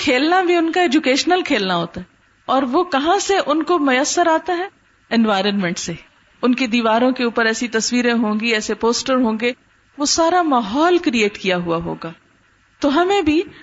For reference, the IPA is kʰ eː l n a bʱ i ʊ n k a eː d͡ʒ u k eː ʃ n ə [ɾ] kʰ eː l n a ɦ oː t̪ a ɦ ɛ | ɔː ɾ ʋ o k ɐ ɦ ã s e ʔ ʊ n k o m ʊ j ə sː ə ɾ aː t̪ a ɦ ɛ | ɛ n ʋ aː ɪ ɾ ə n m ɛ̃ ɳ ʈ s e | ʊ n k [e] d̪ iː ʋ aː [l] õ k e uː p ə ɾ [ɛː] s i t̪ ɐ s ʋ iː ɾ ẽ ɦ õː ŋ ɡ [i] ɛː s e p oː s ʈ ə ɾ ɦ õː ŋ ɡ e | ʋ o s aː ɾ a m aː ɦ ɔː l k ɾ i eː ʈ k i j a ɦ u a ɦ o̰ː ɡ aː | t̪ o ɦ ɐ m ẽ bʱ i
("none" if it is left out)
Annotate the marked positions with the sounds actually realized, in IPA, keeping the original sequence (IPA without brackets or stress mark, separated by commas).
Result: l, e, ɾ, ɛː, i